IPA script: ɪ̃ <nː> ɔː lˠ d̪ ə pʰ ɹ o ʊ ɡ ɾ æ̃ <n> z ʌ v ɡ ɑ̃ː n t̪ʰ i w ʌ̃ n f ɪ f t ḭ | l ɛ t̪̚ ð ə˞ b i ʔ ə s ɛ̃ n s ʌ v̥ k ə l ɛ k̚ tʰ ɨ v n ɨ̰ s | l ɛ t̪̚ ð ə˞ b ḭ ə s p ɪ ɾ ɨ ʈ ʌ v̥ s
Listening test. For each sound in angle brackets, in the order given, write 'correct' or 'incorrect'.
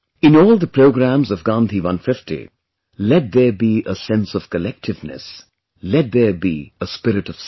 incorrect, incorrect

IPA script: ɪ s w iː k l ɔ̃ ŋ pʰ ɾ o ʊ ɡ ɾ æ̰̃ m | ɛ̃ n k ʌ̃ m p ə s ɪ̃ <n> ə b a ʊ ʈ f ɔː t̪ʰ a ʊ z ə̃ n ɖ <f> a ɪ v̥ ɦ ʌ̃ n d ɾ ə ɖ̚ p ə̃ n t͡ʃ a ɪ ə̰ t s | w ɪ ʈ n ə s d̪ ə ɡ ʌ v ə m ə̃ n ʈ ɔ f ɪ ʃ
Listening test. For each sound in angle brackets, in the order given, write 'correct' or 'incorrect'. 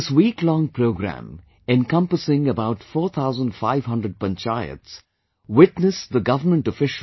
incorrect, correct

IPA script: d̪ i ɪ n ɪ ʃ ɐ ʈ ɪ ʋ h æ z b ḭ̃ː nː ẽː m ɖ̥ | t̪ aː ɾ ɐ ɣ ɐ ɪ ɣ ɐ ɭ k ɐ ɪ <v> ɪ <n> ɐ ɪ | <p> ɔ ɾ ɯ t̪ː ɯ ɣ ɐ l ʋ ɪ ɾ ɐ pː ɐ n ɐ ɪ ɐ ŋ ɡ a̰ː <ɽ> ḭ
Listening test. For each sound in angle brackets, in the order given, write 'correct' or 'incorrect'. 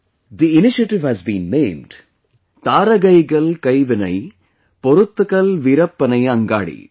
incorrect, correct, correct, correct

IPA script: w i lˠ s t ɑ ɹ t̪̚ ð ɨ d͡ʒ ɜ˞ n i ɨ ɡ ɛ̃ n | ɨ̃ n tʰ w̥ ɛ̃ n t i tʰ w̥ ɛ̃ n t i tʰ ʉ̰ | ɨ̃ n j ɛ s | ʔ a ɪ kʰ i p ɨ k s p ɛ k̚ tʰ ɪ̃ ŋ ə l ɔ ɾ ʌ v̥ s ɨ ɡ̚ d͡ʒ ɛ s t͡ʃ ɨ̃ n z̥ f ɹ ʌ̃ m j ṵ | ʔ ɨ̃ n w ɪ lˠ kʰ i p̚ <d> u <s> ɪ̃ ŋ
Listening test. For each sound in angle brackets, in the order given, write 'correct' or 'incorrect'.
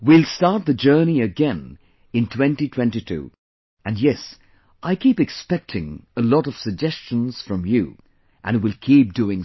correct, incorrect

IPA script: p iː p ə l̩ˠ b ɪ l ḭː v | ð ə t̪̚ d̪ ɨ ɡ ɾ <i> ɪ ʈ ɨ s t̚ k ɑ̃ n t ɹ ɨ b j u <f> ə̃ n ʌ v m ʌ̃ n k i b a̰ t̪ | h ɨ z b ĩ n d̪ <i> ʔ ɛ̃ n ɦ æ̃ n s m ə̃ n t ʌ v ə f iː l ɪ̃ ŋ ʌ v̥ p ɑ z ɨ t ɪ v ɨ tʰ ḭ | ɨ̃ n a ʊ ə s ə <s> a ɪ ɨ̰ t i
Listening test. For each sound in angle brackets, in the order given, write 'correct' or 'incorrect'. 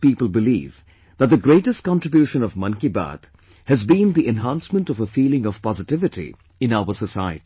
incorrect, incorrect, correct, correct

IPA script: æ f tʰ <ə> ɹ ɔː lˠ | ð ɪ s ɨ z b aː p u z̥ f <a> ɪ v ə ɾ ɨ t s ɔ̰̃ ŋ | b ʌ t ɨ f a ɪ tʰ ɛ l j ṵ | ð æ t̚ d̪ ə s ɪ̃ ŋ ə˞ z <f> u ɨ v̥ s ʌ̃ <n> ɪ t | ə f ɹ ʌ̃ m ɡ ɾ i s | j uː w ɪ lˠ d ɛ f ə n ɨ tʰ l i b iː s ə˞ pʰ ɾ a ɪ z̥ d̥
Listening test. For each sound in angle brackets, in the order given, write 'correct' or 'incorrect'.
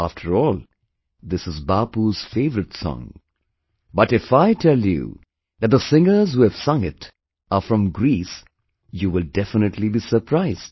correct, incorrect, incorrect, incorrect

